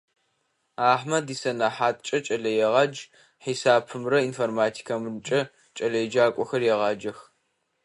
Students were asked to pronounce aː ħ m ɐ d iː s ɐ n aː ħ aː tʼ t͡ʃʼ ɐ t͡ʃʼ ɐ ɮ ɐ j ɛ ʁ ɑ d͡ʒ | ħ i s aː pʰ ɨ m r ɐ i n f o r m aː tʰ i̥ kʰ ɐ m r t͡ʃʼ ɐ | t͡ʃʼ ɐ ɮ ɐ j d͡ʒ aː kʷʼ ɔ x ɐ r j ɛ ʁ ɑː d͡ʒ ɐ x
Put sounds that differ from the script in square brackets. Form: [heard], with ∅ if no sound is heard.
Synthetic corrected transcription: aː ħ m ɐ d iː s ɐ n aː ħ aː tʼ t͡ʃʼ ɐ t͡ʃʼ ɐ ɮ ɐ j ɛ ʁ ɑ d͡ʒ | ħ i s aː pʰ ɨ m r ɐ i n f o r m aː tʰ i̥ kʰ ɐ m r t͡ʃʼ ɐ | t͡ʃʼ ɐ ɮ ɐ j d͡ʒ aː kʷʼ ɔ x ɐ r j ɛ ʁ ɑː d͡ʒ ɐ x